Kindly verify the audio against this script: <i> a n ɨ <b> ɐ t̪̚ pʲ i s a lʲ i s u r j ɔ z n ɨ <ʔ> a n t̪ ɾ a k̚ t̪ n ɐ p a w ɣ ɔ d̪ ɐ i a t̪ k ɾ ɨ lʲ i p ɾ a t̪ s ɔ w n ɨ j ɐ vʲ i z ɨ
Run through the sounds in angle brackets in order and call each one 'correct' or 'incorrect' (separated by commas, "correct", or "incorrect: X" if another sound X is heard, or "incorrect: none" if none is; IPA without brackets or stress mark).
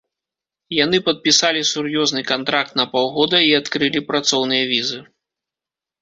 incorrect: j, incorrect: p, incorrect: k